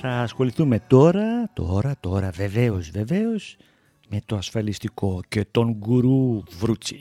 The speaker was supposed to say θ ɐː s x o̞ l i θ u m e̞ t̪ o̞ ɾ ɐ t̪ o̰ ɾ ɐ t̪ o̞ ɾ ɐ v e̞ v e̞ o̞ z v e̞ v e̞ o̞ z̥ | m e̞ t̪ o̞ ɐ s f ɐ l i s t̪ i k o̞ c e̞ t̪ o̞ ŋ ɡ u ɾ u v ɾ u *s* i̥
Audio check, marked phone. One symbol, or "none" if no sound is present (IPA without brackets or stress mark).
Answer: t͡s